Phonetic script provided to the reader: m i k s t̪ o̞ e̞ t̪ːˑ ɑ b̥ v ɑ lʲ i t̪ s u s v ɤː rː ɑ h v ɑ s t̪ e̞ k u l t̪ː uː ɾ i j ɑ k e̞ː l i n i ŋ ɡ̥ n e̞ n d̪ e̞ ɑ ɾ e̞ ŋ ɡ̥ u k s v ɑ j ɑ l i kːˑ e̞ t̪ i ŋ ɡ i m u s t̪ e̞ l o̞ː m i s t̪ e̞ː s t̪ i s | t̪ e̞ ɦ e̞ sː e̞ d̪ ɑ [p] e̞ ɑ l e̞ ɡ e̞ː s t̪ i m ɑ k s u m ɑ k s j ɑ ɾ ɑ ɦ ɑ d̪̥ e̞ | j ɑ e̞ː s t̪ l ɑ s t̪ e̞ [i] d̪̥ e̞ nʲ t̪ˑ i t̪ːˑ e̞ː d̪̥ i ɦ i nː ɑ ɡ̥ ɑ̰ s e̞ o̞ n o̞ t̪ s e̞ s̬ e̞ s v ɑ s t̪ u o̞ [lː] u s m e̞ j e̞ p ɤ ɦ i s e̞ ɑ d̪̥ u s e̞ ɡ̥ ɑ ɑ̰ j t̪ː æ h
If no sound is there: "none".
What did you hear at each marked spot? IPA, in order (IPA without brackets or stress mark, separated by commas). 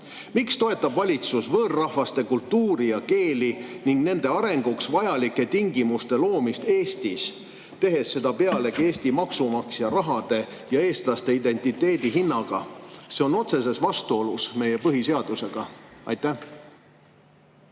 p, i, l